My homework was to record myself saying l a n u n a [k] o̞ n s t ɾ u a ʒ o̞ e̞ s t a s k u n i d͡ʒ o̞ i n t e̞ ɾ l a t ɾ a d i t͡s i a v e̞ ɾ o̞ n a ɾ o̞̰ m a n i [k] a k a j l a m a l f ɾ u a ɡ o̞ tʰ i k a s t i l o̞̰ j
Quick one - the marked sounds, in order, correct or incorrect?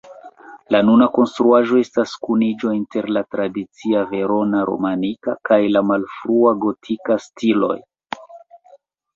correct, correct

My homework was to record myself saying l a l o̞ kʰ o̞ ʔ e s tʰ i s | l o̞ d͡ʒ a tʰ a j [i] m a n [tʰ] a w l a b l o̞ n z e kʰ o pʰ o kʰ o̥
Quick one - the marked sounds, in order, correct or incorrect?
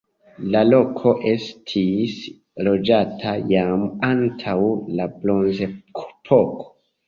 incorrect, correct

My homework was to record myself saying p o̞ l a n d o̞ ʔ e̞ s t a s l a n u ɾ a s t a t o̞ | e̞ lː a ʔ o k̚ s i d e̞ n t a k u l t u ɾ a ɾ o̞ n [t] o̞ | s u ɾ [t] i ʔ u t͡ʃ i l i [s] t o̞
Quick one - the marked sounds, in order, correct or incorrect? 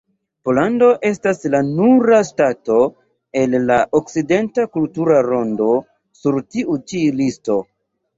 incorrect, correct, correct

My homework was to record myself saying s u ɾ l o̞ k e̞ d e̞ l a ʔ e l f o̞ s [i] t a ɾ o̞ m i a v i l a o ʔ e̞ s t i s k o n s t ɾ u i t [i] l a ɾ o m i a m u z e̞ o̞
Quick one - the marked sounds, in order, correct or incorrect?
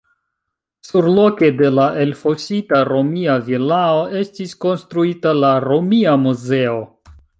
correct, incorrect

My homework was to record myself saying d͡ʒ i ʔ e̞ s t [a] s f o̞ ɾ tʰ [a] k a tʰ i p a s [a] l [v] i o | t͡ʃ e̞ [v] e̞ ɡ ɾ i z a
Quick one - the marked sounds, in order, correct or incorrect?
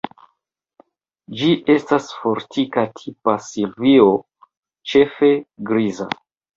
correct, incorrect, incorrect, correct, incorrect

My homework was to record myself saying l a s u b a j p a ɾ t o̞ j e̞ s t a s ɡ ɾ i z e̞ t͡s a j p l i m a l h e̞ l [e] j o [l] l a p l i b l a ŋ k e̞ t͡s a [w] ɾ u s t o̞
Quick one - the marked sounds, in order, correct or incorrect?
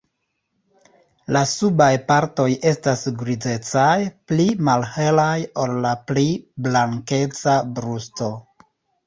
incorrect, correct, incorrect

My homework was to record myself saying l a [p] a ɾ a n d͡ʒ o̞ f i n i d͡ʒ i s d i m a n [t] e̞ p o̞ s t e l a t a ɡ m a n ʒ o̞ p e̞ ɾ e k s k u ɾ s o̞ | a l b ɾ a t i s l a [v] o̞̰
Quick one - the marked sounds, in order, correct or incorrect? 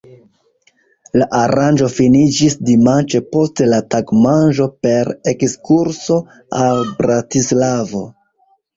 incorrect, incorrect, correct

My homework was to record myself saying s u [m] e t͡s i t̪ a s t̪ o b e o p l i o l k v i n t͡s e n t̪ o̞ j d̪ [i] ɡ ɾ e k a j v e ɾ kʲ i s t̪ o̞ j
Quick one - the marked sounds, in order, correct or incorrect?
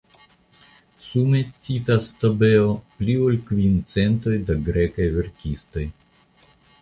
correct, incorrect

